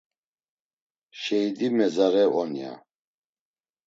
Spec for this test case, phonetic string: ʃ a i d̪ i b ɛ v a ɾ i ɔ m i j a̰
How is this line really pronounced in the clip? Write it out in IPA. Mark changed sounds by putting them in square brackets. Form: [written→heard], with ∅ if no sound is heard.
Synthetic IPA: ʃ [a→ɛ] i d̪ i [b→m] ɛ [v→z] a ɾ [i→ɛ] ɔ [m→n] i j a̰